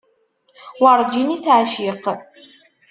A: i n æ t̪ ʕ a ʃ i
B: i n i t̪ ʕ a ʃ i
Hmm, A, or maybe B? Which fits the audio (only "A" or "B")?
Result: B